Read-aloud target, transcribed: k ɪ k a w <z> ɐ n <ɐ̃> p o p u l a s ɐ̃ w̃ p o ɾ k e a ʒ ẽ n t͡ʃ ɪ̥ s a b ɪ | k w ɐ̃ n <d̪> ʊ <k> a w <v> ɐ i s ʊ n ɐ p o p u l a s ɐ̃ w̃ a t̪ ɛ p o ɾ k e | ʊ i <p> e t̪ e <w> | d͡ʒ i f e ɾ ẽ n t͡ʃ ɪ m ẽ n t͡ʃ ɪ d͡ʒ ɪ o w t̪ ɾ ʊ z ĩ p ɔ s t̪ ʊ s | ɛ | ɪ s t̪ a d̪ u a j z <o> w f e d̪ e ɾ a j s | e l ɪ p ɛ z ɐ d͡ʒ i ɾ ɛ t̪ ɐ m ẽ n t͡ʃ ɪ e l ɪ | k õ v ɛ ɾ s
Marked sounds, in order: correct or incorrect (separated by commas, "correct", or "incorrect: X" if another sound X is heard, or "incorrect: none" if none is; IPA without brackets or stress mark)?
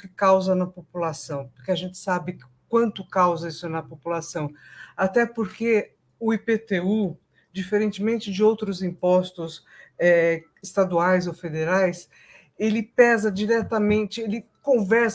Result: correct, incorrect: ɐ, incorrect: t̪, correct, incorrect: z, correct, incorrect: u, correct